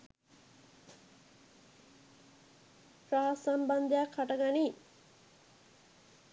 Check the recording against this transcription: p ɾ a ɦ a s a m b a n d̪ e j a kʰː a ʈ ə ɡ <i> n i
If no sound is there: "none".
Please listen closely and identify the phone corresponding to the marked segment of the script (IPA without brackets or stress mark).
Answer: a